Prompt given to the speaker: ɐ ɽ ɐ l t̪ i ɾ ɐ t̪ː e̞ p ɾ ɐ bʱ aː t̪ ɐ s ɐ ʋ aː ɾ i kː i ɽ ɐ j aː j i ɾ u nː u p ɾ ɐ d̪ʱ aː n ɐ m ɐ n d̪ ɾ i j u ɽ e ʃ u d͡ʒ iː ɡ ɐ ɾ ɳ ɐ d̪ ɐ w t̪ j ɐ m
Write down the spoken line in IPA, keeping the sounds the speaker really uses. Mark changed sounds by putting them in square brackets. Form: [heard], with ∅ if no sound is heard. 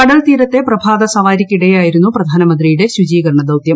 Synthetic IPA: ɐ ɽ ɐ l t̪ [iː] ɾ ɐ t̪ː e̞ p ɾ ɐ bʱ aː [d̪] ɐ s ɐ ʋ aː ɾ i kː i ɽ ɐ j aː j i ɾ u nː u p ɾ ɐ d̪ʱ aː n ɐ m ɐ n d̪ ɾ i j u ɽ e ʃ u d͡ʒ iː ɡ ɐ ɾ ɳ ɐ d̪ ɐ w t̪ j ɐ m